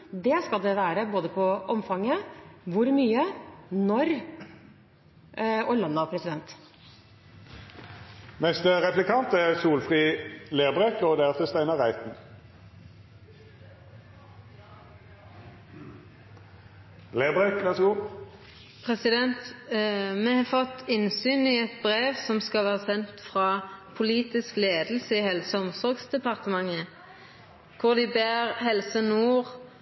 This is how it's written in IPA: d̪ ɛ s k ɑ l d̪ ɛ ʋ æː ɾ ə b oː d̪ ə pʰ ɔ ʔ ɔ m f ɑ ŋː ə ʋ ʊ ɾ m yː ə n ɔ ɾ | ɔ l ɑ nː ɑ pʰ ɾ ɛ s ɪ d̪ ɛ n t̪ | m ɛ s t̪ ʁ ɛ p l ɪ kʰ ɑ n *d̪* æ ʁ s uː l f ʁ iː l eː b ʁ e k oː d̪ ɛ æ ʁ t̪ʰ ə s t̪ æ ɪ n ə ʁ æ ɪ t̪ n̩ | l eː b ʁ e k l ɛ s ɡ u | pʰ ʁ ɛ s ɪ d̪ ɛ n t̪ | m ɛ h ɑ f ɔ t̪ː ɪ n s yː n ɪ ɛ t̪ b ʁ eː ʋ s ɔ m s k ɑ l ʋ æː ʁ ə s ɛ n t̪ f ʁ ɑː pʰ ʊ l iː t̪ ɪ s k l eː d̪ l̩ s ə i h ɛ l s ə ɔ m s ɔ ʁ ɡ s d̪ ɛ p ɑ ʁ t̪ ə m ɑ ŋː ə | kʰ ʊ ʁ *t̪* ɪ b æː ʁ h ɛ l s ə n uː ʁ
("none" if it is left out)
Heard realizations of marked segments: t̪, d̪

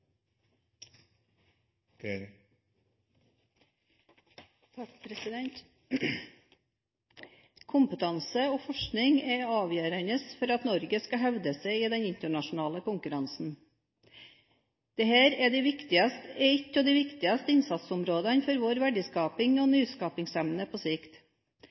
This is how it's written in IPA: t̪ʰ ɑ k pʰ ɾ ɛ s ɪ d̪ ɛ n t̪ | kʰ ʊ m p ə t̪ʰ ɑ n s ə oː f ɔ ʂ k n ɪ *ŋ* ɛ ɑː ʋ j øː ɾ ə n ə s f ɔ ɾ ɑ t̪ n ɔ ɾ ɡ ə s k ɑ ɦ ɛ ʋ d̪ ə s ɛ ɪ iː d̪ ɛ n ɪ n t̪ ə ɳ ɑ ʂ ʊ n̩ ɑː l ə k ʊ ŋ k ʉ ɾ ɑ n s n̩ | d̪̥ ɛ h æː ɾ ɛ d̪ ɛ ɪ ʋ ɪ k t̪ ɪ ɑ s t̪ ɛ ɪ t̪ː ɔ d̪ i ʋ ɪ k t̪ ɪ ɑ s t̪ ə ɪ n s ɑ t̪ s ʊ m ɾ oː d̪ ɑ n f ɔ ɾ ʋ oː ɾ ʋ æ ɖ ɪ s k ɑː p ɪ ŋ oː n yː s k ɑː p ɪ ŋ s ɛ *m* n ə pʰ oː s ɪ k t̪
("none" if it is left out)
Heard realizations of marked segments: ŋ, m

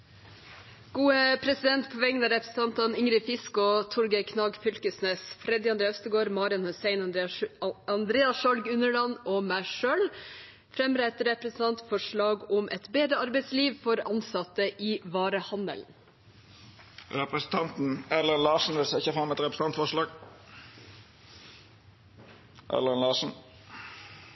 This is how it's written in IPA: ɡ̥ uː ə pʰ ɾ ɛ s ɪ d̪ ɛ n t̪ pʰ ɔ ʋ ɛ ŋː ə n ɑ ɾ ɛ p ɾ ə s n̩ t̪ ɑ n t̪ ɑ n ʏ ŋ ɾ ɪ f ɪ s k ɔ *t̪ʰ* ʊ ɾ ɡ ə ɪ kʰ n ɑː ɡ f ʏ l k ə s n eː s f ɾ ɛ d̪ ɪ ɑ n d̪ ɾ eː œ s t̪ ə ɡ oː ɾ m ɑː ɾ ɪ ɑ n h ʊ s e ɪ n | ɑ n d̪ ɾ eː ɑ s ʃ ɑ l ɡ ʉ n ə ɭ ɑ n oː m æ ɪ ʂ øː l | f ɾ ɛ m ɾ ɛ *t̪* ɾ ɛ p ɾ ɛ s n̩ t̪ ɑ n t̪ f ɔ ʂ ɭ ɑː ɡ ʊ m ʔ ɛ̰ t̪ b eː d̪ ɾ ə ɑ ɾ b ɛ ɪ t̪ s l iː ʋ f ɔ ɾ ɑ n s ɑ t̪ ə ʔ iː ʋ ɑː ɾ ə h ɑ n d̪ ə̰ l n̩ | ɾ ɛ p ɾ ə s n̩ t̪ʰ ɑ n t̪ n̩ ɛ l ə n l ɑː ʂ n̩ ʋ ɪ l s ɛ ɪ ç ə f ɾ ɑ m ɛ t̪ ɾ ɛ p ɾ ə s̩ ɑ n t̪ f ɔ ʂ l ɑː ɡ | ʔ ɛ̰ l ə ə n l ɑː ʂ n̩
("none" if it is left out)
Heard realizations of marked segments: t̪ʰ, t̪

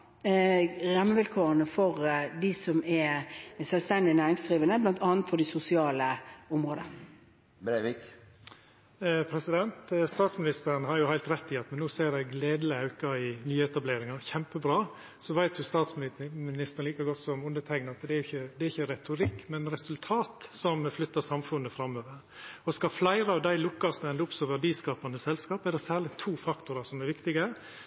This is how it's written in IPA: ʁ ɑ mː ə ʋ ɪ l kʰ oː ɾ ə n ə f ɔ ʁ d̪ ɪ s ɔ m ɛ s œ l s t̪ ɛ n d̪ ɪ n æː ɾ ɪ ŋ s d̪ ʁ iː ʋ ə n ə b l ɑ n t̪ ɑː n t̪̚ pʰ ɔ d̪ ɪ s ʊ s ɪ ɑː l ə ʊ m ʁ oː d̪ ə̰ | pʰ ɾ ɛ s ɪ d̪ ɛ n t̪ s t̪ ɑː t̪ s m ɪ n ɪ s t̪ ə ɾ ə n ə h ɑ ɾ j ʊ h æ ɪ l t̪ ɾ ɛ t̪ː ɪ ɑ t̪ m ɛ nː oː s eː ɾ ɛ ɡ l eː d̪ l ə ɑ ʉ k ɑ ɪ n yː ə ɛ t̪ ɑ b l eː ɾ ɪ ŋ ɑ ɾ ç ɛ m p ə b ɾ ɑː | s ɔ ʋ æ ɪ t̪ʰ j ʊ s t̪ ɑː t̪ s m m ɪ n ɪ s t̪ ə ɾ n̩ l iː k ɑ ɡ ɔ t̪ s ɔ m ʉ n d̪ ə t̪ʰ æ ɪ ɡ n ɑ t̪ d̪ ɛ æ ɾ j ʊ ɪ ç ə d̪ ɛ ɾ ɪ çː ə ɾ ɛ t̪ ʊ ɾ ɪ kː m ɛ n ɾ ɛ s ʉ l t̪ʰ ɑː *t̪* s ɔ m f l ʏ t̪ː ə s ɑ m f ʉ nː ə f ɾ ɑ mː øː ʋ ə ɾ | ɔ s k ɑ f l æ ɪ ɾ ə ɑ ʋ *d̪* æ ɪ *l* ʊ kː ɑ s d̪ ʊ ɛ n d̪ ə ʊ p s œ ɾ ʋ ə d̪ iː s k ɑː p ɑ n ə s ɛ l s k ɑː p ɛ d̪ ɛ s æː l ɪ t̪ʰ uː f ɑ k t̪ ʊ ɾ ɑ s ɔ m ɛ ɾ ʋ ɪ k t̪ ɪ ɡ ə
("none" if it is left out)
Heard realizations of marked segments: t̪, d̪, l

